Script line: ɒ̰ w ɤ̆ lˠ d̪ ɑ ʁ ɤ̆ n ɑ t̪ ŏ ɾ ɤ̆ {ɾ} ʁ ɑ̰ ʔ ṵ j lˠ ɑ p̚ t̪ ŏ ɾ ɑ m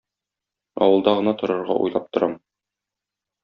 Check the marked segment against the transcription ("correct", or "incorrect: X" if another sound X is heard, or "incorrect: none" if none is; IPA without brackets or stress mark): correct